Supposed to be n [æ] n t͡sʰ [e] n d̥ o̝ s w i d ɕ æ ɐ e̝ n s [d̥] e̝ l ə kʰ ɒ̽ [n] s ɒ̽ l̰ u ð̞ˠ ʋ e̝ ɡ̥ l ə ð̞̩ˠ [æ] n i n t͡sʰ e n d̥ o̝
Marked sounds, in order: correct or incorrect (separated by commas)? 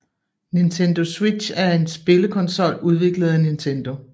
incorrect, correct, incorrect, correct, correct